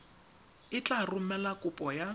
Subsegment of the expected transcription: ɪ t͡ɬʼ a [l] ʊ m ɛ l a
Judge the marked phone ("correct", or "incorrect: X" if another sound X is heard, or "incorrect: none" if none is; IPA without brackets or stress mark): incorrect: r